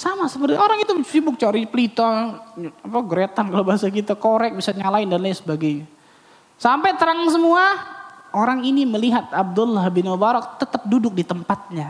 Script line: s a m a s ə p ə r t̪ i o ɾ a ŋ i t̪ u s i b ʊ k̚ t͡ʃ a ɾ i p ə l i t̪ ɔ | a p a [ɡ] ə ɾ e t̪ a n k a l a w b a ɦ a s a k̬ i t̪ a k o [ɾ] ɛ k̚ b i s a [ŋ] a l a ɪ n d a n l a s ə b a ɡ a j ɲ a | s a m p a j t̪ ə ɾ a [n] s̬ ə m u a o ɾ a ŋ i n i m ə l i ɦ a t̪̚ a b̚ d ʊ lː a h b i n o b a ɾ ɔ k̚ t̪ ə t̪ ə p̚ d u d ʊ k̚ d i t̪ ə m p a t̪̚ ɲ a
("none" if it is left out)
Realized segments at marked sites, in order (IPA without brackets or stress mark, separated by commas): ɡ, ɾ, ɲ, ŋ